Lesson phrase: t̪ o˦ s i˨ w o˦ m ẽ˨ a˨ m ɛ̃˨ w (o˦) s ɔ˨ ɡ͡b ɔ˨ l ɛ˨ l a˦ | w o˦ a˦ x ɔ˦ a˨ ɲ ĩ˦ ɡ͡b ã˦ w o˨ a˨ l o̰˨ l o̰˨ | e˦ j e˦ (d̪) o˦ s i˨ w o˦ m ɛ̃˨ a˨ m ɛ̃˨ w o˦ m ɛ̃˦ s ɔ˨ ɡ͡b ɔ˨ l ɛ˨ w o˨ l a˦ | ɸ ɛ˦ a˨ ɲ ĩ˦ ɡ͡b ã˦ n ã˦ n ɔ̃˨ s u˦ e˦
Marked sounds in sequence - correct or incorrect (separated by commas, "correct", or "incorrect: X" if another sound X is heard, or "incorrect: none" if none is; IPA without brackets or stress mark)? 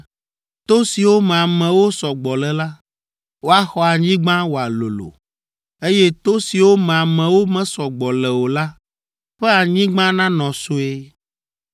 correct, incorrect: t̪